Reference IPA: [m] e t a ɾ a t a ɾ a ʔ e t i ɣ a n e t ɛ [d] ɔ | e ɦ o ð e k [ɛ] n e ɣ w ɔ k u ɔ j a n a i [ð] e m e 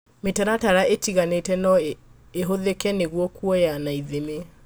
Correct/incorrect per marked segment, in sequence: correct, incorrect: n, correct, correct

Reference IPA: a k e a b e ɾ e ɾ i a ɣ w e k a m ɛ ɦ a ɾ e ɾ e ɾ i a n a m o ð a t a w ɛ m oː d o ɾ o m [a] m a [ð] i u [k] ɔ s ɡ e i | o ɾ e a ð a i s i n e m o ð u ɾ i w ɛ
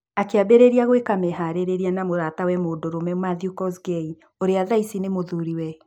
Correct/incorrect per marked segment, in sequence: incorrect: ɛ, correct, correct

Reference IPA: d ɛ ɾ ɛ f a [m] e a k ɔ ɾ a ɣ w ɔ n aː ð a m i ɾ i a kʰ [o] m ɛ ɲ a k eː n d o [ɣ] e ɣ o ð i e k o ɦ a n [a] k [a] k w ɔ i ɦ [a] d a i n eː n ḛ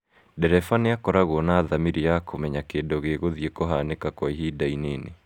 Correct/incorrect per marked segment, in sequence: incorrect: n, correct, correct, incorrect: e, correct, incorrect: i

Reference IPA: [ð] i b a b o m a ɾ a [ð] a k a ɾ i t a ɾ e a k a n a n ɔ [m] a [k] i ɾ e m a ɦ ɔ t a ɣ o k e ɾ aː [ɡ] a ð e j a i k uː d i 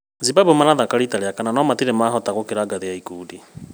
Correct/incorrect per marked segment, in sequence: incorrect: z, correct, correct, incorrect: t, correct

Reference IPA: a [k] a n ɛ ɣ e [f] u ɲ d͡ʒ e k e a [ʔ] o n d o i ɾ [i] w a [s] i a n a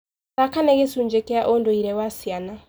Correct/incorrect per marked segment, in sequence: correct, incorrect: s, correct, incorrect: ɛ, correct

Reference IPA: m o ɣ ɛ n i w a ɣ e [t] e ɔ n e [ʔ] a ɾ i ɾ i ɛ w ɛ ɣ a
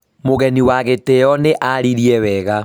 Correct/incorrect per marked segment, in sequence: correct, correct

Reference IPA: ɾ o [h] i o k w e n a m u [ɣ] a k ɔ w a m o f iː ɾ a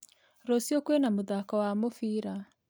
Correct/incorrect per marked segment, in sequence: incorrect: s, incorrect: ð

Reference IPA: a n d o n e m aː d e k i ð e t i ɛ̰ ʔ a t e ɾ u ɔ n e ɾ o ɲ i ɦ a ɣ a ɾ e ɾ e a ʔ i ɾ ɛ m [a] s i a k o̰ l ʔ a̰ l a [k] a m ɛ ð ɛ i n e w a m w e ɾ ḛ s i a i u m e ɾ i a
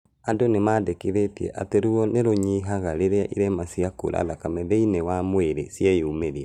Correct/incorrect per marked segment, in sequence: correct, correct

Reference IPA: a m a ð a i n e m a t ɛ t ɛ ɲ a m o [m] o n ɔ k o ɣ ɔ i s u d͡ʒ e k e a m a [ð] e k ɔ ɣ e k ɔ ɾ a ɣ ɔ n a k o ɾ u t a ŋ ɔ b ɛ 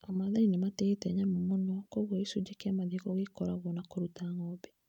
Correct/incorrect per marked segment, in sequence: correct, correct

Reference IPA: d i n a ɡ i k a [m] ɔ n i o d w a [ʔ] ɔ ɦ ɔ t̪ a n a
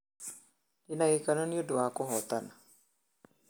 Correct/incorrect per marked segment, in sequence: incorrect: n, incorrect: k

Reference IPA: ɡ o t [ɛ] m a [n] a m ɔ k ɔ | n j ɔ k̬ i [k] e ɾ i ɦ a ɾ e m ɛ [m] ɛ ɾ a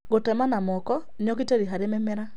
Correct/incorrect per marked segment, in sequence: correct, correct, incorrect: t, correct

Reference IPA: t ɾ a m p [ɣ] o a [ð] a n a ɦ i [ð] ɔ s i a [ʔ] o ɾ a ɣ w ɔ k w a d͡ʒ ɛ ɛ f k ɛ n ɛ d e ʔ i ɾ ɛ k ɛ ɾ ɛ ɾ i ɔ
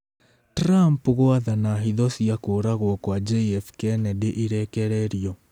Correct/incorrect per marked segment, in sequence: correct, correct, correct, incorrect: k

